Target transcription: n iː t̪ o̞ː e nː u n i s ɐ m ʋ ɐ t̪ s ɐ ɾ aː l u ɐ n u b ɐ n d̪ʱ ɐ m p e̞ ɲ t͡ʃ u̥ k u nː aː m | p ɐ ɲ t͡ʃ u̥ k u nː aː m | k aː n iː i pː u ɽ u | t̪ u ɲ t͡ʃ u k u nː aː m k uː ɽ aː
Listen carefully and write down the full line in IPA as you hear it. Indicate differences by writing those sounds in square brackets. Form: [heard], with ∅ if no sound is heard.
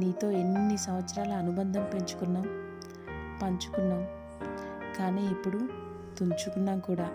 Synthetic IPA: n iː t̪ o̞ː e nː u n i s ɐ m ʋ ɐ t̪ s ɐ ɾ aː l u ɐ n u b ɐ n d̪ʱ ɐ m p e̞ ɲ t͡ʃ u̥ k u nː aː m | p ɐ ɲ t͡ʃ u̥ k u nː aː m | k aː n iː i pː u ɽ u | t̪ u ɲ t͡ʃ u k u nː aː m k uː ɽ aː